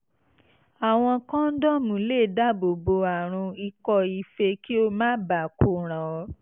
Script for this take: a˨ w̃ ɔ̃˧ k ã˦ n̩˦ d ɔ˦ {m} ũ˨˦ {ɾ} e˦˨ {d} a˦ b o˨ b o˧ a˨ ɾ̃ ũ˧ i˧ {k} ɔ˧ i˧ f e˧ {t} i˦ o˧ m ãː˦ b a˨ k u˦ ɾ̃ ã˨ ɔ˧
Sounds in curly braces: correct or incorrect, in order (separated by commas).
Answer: correct, incorrect, correct, correct, incorrect